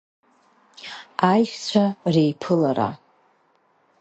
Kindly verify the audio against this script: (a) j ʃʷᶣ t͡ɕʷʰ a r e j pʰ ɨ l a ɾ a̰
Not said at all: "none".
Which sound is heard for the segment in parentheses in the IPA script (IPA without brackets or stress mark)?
a